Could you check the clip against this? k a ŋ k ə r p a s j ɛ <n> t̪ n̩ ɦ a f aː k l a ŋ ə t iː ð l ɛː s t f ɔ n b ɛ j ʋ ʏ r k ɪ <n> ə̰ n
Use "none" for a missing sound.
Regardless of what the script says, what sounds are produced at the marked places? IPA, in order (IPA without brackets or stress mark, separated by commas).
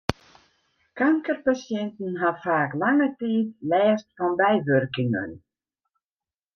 n, ŋ